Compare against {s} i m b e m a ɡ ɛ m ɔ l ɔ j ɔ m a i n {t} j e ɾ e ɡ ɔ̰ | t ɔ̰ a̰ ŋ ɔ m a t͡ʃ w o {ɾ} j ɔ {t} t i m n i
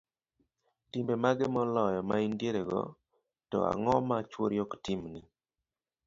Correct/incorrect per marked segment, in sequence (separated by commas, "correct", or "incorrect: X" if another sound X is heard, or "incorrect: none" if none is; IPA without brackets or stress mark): incorrect: t, incorrect: d, correct, incorrect: k